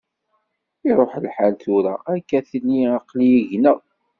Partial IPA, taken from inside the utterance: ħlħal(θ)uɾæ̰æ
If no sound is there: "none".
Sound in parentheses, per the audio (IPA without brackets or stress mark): θ